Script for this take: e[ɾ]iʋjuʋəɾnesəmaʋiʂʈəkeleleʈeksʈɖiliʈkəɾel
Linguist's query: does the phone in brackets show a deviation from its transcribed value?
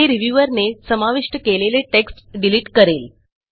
no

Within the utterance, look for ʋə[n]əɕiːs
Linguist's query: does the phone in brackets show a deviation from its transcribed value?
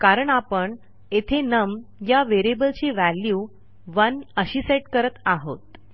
no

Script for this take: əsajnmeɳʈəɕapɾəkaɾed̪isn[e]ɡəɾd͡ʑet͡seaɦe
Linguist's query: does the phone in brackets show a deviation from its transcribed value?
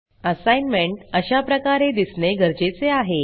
no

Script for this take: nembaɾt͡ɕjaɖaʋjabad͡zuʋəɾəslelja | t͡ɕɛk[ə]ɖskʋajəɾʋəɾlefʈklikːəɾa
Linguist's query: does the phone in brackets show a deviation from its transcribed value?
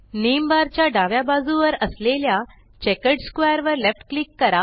no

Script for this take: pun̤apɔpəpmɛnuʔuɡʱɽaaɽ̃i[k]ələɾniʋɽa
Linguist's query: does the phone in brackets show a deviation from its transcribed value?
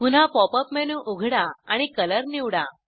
no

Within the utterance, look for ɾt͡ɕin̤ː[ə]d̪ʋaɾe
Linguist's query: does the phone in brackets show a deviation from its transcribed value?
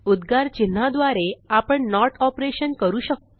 yes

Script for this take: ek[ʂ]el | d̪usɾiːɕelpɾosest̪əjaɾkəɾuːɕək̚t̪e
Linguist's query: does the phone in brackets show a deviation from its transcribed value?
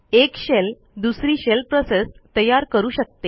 yes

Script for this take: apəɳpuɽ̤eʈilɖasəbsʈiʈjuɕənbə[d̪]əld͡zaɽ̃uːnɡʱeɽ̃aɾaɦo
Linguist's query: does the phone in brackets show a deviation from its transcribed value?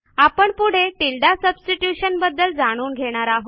yes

